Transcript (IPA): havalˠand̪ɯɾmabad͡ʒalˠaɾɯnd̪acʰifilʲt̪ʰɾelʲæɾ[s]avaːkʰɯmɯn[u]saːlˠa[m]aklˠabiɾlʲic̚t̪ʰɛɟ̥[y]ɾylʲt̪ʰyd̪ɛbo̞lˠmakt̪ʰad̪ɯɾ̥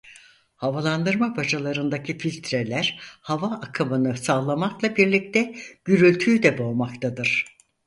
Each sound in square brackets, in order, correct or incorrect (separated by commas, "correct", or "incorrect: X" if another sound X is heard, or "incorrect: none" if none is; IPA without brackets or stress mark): incorrect: h, incorrect: ɯ, correct, correct